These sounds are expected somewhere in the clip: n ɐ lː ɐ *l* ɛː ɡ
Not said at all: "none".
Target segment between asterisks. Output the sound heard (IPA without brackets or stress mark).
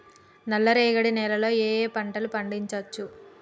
ɾ